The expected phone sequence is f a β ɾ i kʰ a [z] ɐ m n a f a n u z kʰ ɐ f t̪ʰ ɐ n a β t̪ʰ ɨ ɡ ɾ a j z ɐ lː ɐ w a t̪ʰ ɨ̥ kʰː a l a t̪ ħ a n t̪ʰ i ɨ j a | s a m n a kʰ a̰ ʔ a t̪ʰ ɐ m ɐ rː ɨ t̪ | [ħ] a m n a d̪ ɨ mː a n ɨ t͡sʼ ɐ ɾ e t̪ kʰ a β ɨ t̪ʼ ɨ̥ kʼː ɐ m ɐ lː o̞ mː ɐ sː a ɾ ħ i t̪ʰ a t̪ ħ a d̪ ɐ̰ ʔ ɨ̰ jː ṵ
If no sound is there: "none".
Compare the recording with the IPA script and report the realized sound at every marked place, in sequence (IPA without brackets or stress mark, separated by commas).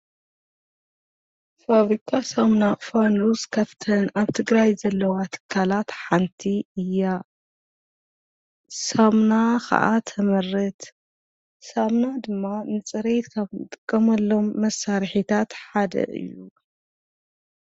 s, s